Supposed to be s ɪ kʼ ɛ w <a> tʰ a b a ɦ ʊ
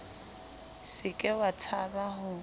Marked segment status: correct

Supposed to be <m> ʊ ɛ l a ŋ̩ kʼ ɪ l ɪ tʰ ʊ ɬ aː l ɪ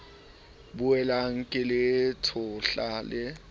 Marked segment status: incorrect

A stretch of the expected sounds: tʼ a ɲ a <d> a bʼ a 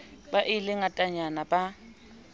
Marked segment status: incorrect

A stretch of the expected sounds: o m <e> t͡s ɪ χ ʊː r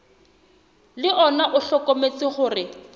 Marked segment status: correct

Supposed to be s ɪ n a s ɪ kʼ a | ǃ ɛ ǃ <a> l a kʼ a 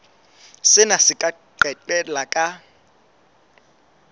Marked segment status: incorrect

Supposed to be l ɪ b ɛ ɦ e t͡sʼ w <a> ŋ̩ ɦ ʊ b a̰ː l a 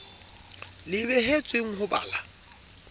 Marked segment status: incorrect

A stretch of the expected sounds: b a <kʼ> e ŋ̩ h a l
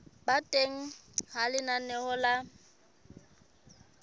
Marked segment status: incorrect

